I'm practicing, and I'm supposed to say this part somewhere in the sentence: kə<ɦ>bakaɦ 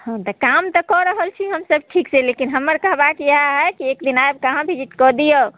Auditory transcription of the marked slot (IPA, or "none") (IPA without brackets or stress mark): ɦ